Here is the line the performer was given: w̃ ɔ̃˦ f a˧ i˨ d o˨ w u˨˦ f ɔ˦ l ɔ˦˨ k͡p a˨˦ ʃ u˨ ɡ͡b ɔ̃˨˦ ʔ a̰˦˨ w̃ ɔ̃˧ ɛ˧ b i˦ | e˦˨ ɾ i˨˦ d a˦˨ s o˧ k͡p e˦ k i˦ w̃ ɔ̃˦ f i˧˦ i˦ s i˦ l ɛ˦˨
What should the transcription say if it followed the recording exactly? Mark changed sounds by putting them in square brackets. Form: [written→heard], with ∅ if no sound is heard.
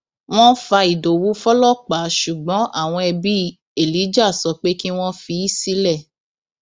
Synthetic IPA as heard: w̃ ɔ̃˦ f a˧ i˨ d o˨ w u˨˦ f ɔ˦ l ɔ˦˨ k͡p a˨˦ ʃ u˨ ɡ͡b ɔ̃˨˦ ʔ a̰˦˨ w̃ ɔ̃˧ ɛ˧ b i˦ | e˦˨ [ɾ→l] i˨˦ [d→d͡ʒ] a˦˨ s [o˧→ɔ˧] k͡p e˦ k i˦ w̃ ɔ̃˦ f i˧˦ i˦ s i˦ l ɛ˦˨